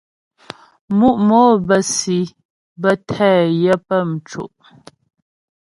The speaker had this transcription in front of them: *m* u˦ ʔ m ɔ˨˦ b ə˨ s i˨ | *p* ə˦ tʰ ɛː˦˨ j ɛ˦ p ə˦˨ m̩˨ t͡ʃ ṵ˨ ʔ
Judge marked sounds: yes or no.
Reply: yes, no

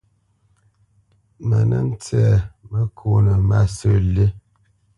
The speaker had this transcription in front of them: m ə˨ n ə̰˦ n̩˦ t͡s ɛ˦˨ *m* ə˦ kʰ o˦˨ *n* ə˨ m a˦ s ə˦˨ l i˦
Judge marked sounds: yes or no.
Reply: yes, yes

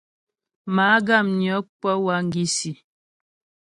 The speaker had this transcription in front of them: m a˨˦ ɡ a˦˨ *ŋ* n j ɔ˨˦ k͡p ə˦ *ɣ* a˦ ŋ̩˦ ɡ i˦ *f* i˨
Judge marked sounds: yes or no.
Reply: no, no, no

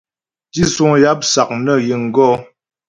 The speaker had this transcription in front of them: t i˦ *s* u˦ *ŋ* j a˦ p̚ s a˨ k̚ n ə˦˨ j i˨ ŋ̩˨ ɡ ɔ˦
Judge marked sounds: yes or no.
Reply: yes, yes

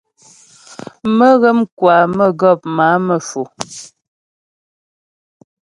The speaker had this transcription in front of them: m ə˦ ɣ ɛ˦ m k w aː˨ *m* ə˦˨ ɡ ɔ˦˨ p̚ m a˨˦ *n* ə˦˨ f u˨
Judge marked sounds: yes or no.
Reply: yes, no

